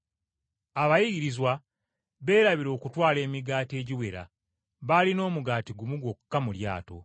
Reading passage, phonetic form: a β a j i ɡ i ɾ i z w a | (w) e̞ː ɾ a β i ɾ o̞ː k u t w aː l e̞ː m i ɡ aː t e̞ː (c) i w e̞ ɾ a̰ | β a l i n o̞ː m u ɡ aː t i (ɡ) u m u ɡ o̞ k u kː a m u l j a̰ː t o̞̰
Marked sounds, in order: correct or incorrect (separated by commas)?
incorrect, incorrect, correct